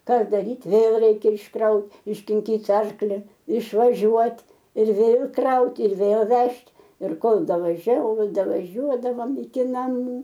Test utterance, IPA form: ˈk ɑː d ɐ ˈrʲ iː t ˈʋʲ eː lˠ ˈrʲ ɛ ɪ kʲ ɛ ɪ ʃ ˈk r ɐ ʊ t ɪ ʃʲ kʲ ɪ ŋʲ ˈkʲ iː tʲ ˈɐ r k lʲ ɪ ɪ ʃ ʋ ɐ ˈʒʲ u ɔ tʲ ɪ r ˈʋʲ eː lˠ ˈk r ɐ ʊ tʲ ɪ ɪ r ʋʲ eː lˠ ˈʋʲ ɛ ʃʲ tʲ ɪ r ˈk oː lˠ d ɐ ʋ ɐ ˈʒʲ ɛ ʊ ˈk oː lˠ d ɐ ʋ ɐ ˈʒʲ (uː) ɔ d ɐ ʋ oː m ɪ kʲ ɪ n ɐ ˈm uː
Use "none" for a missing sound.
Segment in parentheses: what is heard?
u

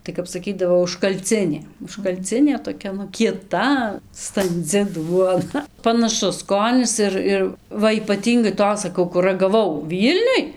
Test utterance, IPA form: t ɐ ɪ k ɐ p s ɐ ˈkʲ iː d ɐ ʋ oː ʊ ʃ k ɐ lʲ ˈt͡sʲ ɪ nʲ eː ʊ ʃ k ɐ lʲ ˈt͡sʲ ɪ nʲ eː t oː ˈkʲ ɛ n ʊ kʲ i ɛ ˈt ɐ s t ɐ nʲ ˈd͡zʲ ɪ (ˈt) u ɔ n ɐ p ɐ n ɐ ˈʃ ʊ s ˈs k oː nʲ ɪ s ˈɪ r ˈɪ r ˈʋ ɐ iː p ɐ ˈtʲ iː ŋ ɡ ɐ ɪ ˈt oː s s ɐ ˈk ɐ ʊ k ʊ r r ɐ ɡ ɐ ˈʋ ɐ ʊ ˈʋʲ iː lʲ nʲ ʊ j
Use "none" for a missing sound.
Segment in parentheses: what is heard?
d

